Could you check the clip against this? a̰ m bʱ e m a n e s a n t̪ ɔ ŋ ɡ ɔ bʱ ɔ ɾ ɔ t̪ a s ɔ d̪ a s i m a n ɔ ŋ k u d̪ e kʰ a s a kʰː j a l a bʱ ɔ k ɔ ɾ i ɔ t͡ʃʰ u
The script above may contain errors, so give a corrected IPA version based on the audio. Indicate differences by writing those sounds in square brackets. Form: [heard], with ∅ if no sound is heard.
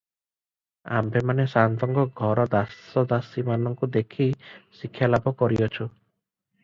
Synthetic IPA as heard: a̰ m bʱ e m a n e s a n t̪ ɔ ŋ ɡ ɔ [ɡʱ] ɔ ɾ ɔ [d̪] a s ɔ d̪ a s i m a n ɔ ŋ k u d̪ e kʰ [i] s [i] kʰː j a l a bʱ ɔ k ɔ ɾ i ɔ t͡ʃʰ u